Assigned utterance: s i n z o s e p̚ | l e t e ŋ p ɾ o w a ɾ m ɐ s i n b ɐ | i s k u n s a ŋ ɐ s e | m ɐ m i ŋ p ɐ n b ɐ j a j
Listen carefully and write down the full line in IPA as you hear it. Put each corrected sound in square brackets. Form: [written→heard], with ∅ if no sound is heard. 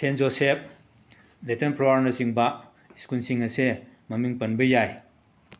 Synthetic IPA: s [i→e] n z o s e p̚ | l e t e [ŋ→n] p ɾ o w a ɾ [m→n] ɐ s i [n→ŋ] b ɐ | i s k u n s [a→i] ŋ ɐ s e | m ɐ m i ŋ p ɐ n b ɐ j a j